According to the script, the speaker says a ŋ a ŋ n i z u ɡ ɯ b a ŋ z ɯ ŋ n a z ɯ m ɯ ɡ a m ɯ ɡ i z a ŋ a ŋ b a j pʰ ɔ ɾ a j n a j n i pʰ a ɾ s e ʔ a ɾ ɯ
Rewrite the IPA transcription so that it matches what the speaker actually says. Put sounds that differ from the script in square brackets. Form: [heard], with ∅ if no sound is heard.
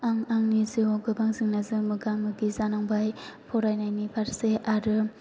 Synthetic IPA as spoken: a ŋ a ŋ n i z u ɡ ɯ b a ŋ z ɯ ŋ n a z ɯ m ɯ ɡ a m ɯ ɡ i z a [n] a ŋ b a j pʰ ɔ ɾ a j n a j n i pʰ a ɾ s e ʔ a ɾ ɯ